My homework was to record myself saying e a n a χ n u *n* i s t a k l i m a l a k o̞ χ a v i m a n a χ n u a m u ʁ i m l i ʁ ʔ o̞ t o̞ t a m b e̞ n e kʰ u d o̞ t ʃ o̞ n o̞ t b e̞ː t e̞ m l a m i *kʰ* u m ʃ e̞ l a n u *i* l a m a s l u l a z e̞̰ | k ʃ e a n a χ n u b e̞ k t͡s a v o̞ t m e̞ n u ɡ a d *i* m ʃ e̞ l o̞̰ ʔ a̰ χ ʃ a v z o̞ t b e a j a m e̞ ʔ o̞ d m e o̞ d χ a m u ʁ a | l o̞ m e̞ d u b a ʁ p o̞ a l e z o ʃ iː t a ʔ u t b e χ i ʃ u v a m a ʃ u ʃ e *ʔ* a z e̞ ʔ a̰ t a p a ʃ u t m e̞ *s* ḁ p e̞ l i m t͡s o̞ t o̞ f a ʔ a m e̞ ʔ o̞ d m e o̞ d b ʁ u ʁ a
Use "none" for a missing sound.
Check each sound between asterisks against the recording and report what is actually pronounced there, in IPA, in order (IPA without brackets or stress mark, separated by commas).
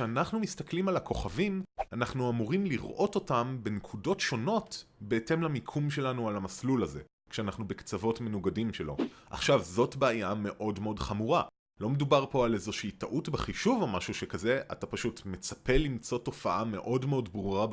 m, kʰ, a, i, k, t͡s